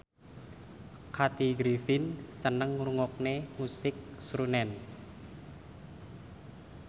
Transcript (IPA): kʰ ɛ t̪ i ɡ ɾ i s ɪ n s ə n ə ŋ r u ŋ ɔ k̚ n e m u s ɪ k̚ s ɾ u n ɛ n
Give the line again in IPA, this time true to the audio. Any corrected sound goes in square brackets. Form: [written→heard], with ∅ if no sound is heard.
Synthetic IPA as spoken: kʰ [ɛ→a] t̪ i ɡ ɾ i [s→f] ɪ n s ə n ə ŋ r u ŋ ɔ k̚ n e m u s ɪ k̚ s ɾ u n ɛ n